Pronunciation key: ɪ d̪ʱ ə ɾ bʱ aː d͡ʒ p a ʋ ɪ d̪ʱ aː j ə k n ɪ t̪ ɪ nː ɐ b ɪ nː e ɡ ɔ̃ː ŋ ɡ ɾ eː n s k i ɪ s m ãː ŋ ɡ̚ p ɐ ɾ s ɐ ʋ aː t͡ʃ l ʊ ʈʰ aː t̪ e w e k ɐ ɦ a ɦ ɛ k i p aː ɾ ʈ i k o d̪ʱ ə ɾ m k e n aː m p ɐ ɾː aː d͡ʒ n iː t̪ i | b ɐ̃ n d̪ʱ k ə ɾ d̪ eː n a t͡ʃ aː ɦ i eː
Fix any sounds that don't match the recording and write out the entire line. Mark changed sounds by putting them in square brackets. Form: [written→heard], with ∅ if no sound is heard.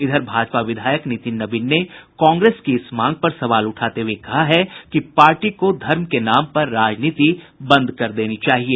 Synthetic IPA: ɪ d̪ʱ ə ɾ bʱ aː d͡ʒ p a ʋ ɪ d̪ʱ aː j ə k n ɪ t̪ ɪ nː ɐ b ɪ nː e [ɡ→k] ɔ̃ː ŋ ɡ ɾ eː [n→∅] s k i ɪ s m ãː ŋ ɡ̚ p ɐ ɾ s ɐ ʋ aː [t͡ʃ→∅] l ʊ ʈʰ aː t̪ e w e k ɐ ɦ a ɦ ɛ k i p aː ɾ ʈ i k o d̪ʱ [ə→ɐ] ɾ m k e n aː m p ɐ ɾː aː d͡ʒ n iː t̪ i | b ɐ̃ n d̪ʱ k [ə→ɐ] ɾ d̪ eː n [a→i] t͡ʃ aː ɦ i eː

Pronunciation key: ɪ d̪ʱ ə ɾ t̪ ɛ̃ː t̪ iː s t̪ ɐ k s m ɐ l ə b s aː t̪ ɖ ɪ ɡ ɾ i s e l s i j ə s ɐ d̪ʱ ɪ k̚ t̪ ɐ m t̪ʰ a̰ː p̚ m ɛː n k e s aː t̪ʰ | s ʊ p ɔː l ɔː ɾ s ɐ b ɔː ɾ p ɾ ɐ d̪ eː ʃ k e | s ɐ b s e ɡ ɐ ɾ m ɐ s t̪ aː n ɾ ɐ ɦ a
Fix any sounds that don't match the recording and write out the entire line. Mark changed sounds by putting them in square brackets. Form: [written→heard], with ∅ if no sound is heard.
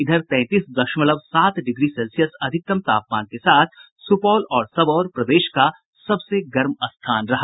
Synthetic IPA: ɪ d̪ʱ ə ɾ t̪ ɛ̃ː t̪ iː s [t̪→d̪] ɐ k [s→ʃ] m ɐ l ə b s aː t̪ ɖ ɪ ɡ ɾ i s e l s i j ə s ɐ d̪ʱ ɪ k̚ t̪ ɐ m [t̪ʰ→t̪] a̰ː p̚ m [ɛː→aː] n k e s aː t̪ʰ | s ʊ p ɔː l ɔː ɾ s ɐ b ɔː ɾ p ɾ ɐ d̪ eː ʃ k [e→a] | s ɐ b s e ɡ ɐ ɾ m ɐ s [t̪→t̪ʰ] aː n ɾ ɐ ɦ a

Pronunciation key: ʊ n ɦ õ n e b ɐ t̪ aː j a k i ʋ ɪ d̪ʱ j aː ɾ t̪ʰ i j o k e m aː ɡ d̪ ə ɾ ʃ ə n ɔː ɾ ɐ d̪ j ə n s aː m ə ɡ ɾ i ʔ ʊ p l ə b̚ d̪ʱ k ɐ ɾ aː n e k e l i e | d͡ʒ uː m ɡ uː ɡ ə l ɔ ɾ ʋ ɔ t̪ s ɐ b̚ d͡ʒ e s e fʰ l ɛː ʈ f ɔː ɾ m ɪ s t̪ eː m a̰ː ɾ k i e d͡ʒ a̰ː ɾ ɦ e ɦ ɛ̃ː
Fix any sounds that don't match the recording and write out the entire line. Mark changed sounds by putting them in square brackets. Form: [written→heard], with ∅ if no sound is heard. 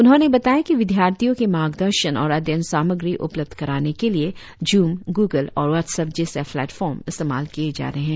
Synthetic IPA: ʊ n ɦ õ n e b ɐ t̪ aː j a k i ʋ ɪ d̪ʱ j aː ɾ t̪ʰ i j [o→õ] k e m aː ɡ d̪ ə ɾ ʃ ə n ɔː ɾ ɐ d̪ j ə n s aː m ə ɡ ɾ i ʔ ʊ p l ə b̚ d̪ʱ k ɐ ɾ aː n e k e l i e | d͡ʒ uː m ɡ uː ɡ ə l [ɔ→ɔː] ɾ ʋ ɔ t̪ s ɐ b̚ d͡ʒ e s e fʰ l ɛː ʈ f ɔː ɾ m ɪ s t̪ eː m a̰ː [ɾ→l] k i e d͡ʒ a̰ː ɾ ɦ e ɦ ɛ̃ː

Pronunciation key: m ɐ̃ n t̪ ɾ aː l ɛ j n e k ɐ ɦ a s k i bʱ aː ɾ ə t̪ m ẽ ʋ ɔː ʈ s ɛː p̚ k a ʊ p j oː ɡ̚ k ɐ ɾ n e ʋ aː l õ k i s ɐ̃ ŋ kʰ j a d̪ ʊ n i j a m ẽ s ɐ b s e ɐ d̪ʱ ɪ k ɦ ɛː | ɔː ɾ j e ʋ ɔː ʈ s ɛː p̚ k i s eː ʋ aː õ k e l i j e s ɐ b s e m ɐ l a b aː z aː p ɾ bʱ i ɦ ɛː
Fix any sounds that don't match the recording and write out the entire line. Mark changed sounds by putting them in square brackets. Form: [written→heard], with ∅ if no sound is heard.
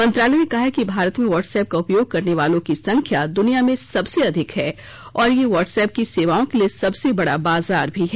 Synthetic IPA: m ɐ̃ n t̪ ɾ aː l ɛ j n e k ɐ ɦ a [s→∅] k i bʱ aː ɾ ə t̪ m ẽ ʋ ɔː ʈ s ɛː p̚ k a ʊ p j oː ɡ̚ k ɐ ɾ n e ʋ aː l õ k i s ɐ̃ ŋ kʰ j a d̪ ʊ n i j a m ẽ s ɐ b s e ɐ d̪ʱ ɪ k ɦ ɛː | ɔː ɾ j e ʋ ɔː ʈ s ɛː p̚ k i s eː ʋ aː õ k e l i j e s ɐ b s e [m→b] ɐ [l→ɽ] a b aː z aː [p→∅] ɾ bʱ i ɦ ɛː

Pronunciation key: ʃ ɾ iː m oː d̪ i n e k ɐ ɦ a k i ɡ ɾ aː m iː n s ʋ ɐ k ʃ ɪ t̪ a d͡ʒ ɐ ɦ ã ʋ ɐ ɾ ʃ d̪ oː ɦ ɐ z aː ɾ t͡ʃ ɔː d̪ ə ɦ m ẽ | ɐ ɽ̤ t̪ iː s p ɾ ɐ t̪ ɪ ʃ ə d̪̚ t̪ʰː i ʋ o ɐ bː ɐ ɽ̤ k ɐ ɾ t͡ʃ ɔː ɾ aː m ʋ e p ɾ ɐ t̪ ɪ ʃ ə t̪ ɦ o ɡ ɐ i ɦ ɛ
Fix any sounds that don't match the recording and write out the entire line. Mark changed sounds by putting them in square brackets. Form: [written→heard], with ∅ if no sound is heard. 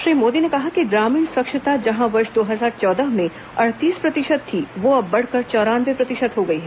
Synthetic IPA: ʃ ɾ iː m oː d̪ i n e k ɐ ɦ a k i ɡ ɾ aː m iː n s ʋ ɐ k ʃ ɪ t̪ a d͡ʒ ɐ ɦ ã ʋ ɐ ɾ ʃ d̪ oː ɦ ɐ z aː ɾ t͡ʃ ɔː d̪ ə ɦ m ẽ | ɐ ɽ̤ t̪ iː s p ɾ ɐ t̪ ɪ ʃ ə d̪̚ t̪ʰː i ʋ o ɐ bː ɐ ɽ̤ k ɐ ɾ t͡ʃ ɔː ɾ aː [m→n] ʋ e p ɾ ɐ t̪ ɪ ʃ ə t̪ ɦ o ɡ ɐ i ɦ ɛ

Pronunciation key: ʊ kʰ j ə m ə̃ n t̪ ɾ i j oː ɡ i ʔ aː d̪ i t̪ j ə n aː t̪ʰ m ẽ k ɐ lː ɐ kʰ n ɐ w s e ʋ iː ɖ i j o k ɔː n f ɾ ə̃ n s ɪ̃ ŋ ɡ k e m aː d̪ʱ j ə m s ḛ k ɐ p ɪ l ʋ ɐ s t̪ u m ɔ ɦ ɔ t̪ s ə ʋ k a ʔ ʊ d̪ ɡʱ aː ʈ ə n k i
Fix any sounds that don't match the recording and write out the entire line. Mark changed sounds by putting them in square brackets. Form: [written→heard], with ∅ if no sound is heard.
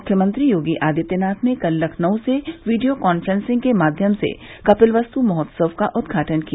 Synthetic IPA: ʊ kʰ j ə m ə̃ n t̪ ɾ i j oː ɡ i ʔ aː d̪ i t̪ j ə n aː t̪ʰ m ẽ k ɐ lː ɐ kʰ n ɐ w s e ʋ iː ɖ i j o k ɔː n f ɾ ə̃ n s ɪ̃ ŋ ɡ k e m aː d̪ʱ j ə m s ḛ k ɐ p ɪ l ʋ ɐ s t̪ u m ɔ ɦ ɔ t̪ s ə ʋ k a ʔ ʊ d̪ ɡʱ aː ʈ ə n k i

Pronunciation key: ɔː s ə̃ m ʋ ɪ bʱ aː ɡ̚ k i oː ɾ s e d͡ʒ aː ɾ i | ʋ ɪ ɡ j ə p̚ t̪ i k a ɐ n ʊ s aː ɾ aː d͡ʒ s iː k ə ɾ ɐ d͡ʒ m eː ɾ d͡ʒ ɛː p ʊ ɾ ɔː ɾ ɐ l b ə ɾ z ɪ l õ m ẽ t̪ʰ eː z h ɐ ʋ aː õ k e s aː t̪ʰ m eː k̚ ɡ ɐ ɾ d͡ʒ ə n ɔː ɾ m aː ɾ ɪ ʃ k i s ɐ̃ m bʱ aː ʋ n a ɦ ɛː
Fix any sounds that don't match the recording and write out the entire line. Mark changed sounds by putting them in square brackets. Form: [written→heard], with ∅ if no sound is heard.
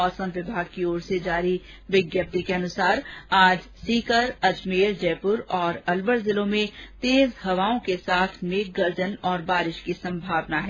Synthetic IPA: ɔː s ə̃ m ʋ ɪ bʱ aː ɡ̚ k i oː ɾ s e d͡ʒ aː ɾ i | ʋ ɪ ɡ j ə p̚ t̪ i k [a→e] ɐ n ʊ s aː ɾ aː d͡ʒ s iː k ə ɾ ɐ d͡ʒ m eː ɾ d͡ʒ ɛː p ʊ ɾ ɔː ɾ ɐ l b ə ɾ z ɪ l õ m ẽ [t̪ʰ→t̪] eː z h ɐ ʋ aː õ k e s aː t̪ʰ m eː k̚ ɡ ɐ ɾ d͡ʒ ə n ɔː ɾ [m→b] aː ɾ ɪ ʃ k i s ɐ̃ m bʱ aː ʋ n a ɦ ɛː

